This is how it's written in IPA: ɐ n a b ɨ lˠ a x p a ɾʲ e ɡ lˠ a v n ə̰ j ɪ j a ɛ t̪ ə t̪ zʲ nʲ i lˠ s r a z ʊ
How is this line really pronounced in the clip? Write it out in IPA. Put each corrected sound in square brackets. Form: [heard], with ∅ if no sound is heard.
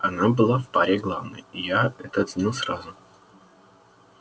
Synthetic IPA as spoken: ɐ n a b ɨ lˠ a [f] p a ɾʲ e ɡ lˠ a v n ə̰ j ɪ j a ɛ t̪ ə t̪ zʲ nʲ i lˠ s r a z ʊ